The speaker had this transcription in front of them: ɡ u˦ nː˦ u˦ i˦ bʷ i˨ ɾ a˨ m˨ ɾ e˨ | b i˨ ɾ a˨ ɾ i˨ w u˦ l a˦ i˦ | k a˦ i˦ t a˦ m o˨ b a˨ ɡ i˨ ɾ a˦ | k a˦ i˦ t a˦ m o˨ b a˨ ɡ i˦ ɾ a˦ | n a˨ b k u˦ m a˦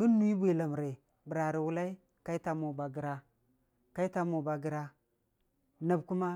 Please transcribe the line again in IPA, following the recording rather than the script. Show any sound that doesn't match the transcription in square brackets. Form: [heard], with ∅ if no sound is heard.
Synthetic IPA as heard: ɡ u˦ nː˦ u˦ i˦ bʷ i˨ [l] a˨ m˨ ɾ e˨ | b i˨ ɾ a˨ ɾ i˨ w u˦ l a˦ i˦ | k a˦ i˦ t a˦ m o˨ b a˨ ɡ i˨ ɾ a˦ | k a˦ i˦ t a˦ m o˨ b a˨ ɡ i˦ ɾ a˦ | n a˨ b k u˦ m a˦